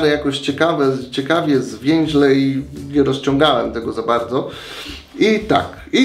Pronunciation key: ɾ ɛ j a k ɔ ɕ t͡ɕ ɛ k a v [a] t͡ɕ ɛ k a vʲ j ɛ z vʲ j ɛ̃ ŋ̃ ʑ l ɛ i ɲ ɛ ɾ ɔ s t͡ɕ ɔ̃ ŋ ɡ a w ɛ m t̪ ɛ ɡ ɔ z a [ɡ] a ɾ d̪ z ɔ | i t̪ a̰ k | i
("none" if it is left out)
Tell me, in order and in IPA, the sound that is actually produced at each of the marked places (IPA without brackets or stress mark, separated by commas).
ɛ, b